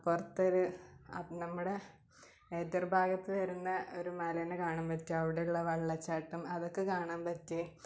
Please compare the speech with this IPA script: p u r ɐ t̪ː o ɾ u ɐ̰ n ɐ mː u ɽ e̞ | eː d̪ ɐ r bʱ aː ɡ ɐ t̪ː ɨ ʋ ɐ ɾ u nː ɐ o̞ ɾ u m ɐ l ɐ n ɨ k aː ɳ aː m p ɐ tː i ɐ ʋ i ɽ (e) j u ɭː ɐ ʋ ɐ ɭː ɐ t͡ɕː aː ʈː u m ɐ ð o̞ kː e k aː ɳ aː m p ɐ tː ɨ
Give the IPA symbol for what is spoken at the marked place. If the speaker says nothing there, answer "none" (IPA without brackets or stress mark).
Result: e